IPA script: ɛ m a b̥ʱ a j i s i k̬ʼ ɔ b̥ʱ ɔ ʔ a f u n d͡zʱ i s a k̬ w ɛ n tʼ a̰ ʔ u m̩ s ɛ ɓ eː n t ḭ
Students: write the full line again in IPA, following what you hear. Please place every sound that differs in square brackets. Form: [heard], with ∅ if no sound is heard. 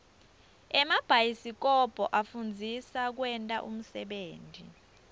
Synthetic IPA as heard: ɛ m a b̥ʱ a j i s i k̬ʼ ɔ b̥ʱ ɔ ʔ a f u n d͡zʱ i s a k̬ w ɛ n tʼ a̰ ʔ u m̩ s ɛ ɓ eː n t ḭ